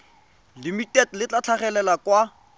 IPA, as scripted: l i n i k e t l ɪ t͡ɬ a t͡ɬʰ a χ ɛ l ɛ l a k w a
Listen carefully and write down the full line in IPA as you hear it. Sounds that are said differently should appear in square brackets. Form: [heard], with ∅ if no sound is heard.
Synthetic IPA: l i [m] i [t] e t l ɪ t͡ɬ a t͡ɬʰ a χ ɛ l ɛ l a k w a